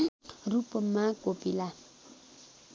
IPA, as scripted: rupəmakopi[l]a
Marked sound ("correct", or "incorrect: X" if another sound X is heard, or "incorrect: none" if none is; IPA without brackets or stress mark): correct